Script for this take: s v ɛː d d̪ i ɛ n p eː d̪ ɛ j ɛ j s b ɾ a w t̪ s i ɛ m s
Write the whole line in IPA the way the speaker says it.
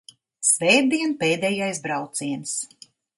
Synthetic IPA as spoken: s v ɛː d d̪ i ɛ n p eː d̪ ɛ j a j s b ɾ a w t̪ s i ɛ n s